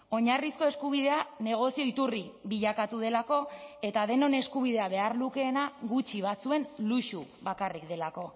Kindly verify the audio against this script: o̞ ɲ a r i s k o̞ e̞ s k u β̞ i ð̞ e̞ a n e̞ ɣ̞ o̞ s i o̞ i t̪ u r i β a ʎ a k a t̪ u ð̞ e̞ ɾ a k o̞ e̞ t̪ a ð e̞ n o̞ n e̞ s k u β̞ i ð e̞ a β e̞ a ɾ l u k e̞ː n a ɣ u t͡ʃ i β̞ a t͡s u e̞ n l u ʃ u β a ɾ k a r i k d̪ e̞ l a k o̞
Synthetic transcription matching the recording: o̞ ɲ a r i s k o̞ e̞ s k u β̞ i ð̞ e̞ a n e̞ ɣ̞ o̞ s i o̞ i t̪ u r i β i ʎ a k a t̪ u ð̞ e̞ l a k o̞ e̞ t̪ a ð e̞ n o̞ n e̞ s k u β̞ i ð e̞ a β e̞ a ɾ l u k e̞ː n a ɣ u t͡ʃ i β̞ a t͡s u e̞ n l u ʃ u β a k a r i k d̪ e̞ l a k o̞